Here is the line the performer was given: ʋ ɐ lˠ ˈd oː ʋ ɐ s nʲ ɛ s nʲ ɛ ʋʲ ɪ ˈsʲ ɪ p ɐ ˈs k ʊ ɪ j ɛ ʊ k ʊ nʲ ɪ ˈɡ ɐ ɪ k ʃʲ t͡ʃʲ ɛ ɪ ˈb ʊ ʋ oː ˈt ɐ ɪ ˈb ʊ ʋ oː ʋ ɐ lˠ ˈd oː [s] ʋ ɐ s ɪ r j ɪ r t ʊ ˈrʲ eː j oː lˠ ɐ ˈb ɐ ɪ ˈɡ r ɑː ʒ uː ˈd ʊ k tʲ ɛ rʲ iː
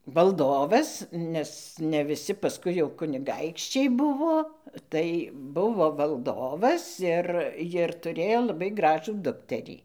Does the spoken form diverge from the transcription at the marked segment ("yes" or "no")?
yes